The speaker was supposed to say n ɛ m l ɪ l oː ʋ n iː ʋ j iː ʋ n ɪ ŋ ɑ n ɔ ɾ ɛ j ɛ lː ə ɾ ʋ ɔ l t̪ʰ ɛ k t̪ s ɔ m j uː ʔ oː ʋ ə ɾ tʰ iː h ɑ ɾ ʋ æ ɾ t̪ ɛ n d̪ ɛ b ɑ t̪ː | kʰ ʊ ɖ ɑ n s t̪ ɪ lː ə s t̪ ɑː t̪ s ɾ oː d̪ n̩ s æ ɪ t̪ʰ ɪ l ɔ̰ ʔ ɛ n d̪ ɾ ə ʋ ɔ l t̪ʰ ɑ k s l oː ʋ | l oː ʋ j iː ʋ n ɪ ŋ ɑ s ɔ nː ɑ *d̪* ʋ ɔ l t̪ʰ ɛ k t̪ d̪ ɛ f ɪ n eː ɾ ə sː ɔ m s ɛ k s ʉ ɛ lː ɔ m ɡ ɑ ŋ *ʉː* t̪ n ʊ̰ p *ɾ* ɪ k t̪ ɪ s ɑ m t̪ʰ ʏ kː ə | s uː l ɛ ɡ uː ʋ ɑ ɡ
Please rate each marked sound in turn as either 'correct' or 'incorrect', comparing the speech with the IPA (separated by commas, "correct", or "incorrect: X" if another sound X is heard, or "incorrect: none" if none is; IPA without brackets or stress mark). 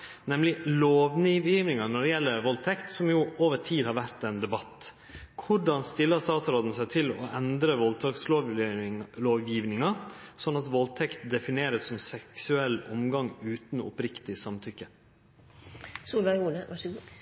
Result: incorrect: t̪, correct, correct